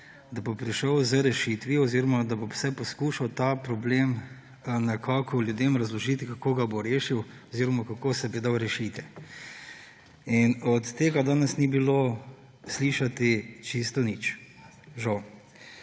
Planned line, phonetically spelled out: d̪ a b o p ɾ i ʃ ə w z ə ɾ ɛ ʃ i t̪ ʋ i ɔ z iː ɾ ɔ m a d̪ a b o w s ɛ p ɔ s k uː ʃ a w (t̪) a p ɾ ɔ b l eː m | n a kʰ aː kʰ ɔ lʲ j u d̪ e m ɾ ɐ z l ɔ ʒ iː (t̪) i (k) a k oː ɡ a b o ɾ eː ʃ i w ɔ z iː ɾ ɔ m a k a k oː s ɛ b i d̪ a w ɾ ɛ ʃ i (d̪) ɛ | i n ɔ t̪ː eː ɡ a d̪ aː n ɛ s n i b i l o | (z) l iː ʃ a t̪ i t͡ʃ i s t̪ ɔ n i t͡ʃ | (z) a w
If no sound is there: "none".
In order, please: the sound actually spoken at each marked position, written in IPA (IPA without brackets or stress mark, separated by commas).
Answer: t̪, t̪, k, t̪, s, ʒ